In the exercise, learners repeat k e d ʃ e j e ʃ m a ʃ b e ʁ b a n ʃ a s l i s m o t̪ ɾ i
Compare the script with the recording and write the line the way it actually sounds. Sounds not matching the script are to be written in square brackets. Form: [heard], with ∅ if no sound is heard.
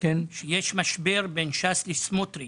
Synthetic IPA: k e [n] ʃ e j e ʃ m a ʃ b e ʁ b [e] n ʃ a s l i s m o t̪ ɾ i